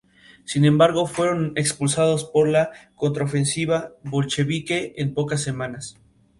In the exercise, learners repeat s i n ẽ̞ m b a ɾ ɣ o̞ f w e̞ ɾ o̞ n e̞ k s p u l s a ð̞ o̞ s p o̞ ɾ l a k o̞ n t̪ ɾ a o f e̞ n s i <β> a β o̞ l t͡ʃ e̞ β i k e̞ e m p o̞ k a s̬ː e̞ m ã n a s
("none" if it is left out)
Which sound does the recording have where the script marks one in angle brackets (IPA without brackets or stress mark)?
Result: β